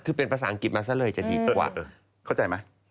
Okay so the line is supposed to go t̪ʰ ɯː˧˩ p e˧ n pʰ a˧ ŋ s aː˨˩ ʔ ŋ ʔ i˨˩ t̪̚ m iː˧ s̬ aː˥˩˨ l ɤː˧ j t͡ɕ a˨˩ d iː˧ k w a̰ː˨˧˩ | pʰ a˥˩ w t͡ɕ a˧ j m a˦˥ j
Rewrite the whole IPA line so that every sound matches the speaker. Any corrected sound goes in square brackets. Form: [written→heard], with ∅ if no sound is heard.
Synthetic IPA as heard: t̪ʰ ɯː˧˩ p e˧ n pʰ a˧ [ŋ→∅] s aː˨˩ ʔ ŋ [ʔ→k] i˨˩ t̪̚ m [iː˧→aː˧] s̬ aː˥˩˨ l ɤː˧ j t͡ɕ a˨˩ d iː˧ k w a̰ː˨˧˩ | [pʰ→kʰ] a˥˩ w t͡ɕ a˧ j m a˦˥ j